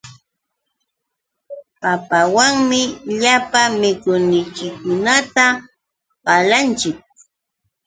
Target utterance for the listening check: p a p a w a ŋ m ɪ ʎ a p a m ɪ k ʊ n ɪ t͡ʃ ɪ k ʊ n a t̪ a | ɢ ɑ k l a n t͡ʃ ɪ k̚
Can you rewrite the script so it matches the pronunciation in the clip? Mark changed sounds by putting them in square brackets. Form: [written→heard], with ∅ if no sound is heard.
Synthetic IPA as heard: p a p a w a ŋ m ɪ ʎ a p a m ɪ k ʊ n ɪ t͡ʃ ɪ k ʊ n a t̪ a | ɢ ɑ [k→∅] l a n t͡ʃ ɪ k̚